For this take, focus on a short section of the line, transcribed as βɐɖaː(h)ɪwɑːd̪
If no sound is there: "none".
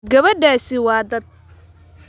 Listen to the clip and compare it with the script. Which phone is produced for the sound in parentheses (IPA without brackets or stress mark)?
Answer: s